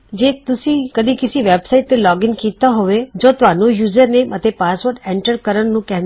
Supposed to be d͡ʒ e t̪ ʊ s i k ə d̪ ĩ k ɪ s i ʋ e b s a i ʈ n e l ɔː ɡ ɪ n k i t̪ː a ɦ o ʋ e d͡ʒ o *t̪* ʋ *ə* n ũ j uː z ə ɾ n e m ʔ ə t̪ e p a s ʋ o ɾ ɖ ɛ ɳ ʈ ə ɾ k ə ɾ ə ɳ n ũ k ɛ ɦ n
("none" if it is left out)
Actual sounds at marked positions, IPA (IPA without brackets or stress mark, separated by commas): t̪, a